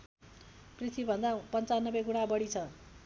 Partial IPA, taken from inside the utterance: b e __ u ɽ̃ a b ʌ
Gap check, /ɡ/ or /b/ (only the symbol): ɡ